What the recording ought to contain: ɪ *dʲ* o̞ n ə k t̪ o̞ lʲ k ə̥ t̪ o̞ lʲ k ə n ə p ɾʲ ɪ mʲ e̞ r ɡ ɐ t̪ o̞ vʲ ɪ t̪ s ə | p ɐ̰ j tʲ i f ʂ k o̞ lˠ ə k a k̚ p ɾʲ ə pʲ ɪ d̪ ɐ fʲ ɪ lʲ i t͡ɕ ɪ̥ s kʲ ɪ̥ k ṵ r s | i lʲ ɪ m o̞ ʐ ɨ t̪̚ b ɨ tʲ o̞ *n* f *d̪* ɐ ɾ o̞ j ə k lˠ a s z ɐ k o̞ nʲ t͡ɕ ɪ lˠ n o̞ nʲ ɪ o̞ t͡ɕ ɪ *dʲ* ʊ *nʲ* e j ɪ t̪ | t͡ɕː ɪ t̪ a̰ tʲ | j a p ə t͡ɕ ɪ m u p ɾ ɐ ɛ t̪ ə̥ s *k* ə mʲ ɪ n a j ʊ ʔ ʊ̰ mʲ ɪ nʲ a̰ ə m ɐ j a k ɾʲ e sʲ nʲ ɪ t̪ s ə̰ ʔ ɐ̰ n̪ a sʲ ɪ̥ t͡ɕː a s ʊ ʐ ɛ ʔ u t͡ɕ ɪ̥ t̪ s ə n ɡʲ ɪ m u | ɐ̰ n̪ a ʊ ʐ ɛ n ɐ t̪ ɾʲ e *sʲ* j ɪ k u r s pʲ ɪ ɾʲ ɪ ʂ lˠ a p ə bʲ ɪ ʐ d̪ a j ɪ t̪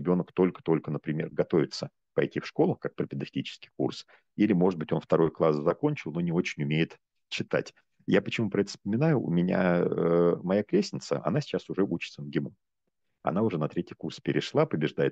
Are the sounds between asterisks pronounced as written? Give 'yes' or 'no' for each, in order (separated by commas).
no, yes, no, no, no, no, no